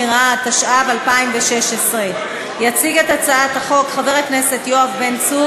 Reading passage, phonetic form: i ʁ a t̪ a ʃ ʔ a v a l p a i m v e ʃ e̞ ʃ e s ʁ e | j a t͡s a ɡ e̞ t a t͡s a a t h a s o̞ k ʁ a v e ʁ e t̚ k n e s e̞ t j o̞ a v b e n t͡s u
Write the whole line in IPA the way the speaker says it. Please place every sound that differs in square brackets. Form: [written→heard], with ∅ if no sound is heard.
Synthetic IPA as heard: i ʁ a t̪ a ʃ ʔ a v a l p a i m v e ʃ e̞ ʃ e s ʁ e | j a t͡s [a→i] ɡ e̞ t a t͡s a a t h a [s→χ] o̞ k [ʁ→χ] a v e ʁ e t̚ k n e s e̞ t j o̞ a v b e n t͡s u